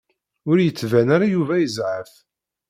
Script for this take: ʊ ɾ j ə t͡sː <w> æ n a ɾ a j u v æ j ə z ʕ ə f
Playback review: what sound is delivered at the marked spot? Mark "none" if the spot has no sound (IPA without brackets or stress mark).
v